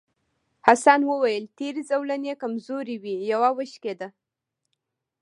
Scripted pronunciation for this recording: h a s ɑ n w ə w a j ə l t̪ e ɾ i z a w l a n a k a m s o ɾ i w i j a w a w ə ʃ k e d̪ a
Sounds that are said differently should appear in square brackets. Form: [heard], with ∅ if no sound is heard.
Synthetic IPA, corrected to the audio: h a s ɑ n w ə w a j ə l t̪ e ɾ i z a w l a n [e] k a m [z] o ɾ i w i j a w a w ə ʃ k e d̪ a